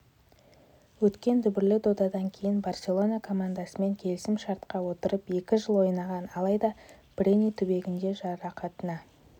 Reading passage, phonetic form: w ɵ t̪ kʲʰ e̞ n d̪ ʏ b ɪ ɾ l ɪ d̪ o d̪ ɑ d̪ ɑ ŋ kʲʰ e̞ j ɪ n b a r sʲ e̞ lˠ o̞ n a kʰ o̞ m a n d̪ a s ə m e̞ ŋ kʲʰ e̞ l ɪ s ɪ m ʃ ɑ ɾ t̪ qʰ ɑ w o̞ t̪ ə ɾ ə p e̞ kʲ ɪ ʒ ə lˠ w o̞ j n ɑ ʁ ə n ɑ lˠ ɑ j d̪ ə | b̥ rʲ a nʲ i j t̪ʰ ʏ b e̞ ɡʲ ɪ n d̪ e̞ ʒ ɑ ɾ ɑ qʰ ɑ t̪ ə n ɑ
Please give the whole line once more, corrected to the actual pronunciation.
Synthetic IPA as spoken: w ɵ t̪ kʲ e̞ n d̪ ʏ b ɪ ɾ l ɪ d̪ o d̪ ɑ d̪ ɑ ŋ kʲʰ e̞ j ɪ n b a r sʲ e̞ lˠ o̞ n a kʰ o̞ m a n d̪ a s ə m e̞ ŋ kʲʰ e̞ l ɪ s ɪ m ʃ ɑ ɾ t̪ q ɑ w o̞ t̪ ə ɾ ə p e̞ kʲ ɪ ʒ ə lˠ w o̞ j n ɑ ʁ ɑ n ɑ lˠ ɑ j d̪ ɑ | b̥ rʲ e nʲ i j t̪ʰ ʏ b e̞ ɡʲ ɪ n d̪ e̞ ʒ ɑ ɾ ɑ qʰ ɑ t̪ ə n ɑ